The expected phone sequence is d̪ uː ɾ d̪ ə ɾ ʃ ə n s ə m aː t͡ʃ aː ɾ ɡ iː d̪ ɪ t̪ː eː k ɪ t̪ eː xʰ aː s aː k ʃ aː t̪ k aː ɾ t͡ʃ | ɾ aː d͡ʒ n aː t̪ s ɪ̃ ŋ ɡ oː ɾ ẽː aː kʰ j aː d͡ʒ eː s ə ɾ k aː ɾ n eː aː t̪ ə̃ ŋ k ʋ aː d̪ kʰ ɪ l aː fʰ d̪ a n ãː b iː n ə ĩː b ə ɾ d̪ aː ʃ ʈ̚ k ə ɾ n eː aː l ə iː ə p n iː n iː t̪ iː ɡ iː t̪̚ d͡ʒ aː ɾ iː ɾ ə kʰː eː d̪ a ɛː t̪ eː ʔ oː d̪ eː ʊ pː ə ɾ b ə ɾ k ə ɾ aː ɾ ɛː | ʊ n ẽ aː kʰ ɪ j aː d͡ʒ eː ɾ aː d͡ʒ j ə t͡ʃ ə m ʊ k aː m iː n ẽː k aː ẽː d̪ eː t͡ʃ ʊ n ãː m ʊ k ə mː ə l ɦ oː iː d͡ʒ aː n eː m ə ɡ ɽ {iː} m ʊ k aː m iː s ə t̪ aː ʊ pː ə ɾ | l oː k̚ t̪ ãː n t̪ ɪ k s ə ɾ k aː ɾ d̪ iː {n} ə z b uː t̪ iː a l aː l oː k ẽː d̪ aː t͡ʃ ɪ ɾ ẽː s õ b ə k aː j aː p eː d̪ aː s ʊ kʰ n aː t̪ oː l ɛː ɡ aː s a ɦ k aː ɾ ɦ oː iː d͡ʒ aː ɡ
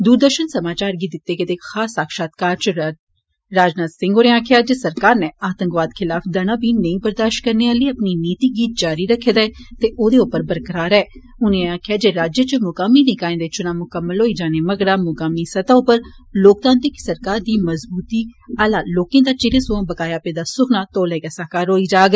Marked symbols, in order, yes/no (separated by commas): no, no